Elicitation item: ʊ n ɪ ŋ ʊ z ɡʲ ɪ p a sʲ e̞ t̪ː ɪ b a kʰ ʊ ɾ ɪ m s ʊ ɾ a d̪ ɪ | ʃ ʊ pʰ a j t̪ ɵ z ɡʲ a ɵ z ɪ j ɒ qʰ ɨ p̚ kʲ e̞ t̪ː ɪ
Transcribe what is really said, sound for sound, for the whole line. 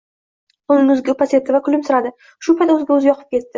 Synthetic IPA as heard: ʊ n ɪ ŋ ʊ z ɡʲ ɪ p a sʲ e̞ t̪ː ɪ v a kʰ ʊ l ɪ m s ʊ ɾ a d̪ ɪ | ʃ ʊ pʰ a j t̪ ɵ z ɡʲ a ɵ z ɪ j ɒ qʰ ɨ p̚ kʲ e̞ t̪ː ɪ